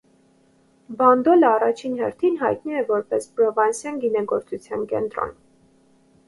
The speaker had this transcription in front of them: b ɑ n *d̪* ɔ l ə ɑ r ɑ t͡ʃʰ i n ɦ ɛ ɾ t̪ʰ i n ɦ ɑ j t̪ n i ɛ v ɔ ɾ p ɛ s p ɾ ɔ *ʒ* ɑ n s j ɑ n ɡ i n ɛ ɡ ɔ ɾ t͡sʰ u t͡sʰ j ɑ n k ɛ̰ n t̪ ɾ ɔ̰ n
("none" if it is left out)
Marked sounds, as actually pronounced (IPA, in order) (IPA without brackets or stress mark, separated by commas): d̪, v